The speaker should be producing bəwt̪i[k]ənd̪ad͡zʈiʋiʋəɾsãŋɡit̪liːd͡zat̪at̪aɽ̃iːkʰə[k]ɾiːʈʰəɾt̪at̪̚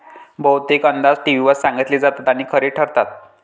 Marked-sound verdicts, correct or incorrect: correct, incorrect

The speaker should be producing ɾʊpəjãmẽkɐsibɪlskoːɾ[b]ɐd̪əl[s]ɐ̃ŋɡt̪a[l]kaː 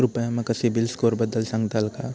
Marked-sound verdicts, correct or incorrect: correct, correct, correct

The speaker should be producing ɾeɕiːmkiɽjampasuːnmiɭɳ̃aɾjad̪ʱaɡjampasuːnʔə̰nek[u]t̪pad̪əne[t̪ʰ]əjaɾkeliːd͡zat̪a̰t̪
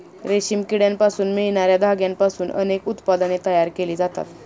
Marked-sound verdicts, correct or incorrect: correct, incorrect

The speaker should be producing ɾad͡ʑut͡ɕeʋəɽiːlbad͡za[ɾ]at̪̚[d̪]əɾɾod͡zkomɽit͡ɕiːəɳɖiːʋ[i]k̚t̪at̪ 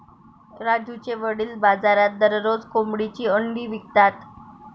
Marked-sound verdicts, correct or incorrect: correct, correct, correct

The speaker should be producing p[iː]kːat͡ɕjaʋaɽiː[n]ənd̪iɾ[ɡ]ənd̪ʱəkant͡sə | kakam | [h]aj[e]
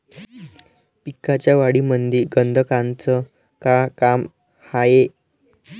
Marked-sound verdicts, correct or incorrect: incorrect, incorrect, correct, correct, correct

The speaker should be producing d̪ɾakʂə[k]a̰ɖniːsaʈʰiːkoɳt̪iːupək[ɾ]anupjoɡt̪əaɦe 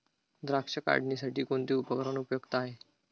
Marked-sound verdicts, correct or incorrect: correct, correct

